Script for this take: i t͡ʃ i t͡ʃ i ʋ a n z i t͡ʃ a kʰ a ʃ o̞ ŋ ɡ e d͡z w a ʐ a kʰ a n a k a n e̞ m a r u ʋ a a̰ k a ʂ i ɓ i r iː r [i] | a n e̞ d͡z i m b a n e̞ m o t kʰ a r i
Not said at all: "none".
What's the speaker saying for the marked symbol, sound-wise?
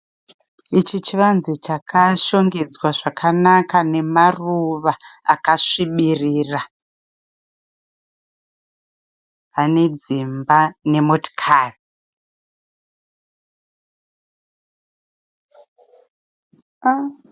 a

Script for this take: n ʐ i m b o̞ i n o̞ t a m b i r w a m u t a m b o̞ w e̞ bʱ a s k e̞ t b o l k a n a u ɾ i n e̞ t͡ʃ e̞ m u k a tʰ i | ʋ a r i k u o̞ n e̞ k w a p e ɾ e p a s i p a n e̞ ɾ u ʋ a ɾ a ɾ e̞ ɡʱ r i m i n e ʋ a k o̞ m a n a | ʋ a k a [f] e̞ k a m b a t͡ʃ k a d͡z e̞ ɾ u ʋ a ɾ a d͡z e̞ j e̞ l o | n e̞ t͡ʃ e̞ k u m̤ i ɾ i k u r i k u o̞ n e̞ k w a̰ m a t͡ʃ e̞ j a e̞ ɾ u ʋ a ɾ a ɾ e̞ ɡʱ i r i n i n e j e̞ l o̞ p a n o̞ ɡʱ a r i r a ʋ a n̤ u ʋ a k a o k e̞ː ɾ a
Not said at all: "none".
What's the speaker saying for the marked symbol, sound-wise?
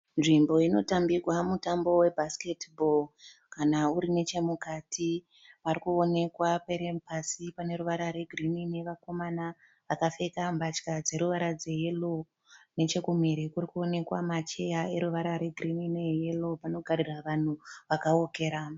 f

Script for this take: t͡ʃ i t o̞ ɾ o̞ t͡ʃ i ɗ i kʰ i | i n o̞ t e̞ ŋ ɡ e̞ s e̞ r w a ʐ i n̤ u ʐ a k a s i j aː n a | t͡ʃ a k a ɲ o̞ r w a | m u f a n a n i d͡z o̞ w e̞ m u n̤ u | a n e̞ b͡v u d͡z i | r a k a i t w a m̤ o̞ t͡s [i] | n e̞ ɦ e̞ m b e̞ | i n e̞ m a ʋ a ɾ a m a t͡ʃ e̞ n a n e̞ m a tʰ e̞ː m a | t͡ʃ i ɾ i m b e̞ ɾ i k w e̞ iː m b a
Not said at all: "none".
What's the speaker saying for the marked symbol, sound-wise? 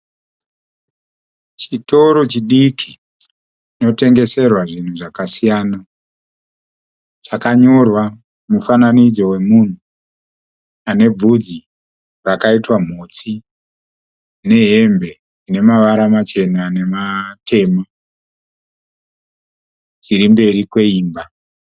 i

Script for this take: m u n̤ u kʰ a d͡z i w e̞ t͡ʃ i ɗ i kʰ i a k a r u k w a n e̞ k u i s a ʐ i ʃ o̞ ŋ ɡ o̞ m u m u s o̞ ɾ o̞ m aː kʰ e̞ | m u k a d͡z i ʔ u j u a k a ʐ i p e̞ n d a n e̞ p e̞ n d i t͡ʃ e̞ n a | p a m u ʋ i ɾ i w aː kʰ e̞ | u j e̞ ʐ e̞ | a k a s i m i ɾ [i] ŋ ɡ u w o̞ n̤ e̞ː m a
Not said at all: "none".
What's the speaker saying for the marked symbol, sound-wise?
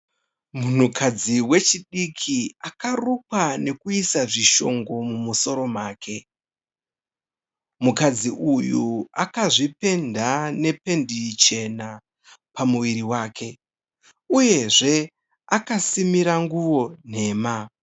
a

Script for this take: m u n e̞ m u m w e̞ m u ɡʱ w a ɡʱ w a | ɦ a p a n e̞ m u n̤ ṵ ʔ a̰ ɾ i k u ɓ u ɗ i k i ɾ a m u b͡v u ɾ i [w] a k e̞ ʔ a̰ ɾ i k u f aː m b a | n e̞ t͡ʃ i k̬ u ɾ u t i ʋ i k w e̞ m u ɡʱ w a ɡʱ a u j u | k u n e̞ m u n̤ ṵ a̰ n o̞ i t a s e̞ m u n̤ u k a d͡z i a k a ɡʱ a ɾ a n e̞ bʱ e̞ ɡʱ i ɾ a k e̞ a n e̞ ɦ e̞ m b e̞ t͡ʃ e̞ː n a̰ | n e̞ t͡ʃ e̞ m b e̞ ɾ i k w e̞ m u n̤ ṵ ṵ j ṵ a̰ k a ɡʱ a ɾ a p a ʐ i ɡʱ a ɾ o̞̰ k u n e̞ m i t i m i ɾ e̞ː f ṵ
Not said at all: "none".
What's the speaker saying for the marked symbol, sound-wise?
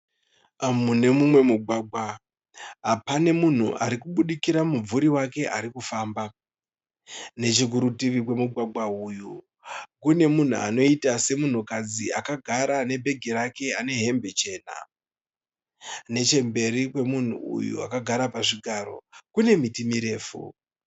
w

